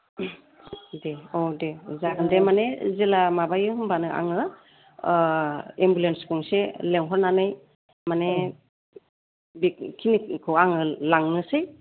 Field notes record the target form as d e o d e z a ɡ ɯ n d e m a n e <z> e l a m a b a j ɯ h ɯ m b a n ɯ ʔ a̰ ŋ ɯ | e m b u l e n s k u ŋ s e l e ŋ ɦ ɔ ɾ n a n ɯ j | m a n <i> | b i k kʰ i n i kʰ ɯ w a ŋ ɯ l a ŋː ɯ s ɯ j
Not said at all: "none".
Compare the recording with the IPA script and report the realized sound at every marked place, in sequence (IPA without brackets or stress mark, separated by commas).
z, e